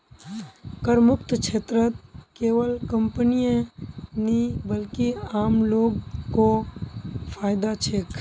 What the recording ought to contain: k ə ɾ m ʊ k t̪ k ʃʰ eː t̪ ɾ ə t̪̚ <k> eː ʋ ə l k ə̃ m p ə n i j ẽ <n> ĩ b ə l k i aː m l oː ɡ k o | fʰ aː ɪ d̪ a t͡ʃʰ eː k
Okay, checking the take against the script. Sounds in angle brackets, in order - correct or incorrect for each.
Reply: correct, correct

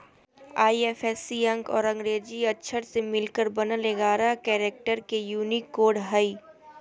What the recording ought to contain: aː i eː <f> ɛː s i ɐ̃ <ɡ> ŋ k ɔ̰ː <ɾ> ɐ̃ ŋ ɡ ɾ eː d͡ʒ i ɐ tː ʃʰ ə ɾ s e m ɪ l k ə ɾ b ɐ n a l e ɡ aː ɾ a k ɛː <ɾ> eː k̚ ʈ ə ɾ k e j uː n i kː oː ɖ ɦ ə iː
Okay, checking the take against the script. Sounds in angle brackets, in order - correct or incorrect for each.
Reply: correct, incorrect: none, correct, correct

